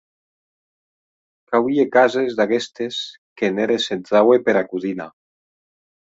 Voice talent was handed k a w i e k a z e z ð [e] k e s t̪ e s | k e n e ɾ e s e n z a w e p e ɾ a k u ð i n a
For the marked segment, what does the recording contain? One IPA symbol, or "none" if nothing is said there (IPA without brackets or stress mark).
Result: a